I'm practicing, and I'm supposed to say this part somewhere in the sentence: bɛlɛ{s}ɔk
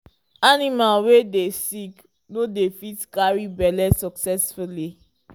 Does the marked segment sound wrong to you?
no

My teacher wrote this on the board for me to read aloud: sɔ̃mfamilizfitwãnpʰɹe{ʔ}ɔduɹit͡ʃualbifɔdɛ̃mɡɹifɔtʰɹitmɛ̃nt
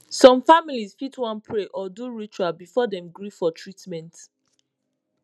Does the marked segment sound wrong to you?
no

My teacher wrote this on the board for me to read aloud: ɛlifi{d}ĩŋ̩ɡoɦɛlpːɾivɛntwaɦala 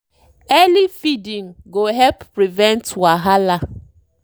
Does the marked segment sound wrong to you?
no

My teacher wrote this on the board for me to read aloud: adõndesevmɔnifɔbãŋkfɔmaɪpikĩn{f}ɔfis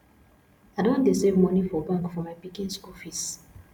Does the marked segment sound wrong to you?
yes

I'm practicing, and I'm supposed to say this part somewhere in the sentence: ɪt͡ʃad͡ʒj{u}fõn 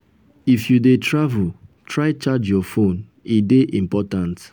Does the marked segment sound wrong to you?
yes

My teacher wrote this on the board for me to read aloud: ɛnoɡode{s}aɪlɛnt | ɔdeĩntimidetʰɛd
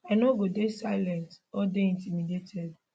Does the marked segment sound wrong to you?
no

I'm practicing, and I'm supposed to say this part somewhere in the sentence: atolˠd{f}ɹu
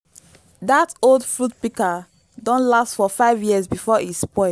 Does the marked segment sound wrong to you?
no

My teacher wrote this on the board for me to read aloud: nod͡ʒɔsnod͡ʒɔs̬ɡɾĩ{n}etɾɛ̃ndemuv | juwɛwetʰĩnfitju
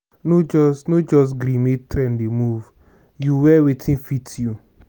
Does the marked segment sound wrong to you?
yes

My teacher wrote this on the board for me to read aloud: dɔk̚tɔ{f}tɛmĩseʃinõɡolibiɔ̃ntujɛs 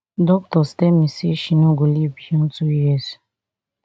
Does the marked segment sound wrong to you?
yes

